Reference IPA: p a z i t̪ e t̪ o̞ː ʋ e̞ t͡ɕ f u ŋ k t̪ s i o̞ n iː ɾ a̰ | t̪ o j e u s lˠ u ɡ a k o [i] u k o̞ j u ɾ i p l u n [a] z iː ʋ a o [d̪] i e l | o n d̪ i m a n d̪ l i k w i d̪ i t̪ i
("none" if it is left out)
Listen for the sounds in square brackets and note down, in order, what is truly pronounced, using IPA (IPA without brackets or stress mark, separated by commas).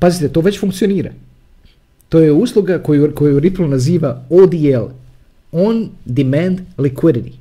j, a, d̪